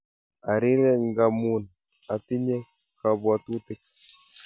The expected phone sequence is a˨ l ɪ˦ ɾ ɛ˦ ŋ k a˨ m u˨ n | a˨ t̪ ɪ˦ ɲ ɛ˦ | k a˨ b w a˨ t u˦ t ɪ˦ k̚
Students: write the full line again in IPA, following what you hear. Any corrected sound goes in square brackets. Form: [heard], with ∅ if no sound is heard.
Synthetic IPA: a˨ [ɾ] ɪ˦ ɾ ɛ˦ ŋ [ɡ] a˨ m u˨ n | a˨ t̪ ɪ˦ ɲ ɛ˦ | k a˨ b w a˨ t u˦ t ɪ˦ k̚